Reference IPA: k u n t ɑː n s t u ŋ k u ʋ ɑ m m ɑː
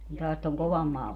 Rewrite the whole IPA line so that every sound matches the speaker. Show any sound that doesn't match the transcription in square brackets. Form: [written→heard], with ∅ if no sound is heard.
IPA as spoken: k u n t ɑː [n→∅] s t [u→o] ŋ k [u→o] ʋ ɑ m m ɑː